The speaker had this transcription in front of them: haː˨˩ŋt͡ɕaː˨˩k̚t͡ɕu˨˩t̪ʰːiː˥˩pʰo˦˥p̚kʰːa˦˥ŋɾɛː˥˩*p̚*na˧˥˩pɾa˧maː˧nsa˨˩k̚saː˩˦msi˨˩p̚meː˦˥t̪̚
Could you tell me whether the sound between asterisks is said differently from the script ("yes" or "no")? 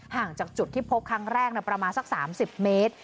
yes